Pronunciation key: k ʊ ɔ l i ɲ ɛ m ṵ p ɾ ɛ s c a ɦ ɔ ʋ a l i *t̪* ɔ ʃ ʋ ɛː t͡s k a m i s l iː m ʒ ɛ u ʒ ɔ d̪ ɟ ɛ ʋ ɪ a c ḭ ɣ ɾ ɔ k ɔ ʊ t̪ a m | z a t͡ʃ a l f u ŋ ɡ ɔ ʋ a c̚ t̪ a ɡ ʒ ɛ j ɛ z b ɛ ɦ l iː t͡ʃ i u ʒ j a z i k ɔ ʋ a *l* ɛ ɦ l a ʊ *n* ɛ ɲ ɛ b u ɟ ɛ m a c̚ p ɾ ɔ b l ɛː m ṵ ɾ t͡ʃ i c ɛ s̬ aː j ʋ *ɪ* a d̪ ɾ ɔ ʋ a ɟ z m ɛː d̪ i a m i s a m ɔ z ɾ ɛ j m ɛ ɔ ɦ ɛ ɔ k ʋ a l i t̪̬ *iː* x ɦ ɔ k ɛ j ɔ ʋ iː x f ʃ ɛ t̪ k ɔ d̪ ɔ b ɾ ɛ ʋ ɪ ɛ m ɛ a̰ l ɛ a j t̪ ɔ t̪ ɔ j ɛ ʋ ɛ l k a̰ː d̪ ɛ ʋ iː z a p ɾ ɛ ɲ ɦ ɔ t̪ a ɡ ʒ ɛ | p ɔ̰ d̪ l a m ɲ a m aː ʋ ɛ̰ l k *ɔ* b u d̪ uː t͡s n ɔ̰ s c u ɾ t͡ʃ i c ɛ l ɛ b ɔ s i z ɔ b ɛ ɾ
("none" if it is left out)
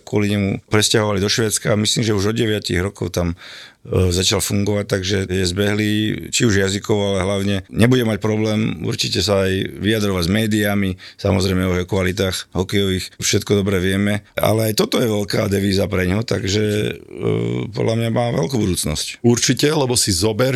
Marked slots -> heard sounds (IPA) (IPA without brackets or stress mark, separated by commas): d̪, l, ɲ, i, aː, u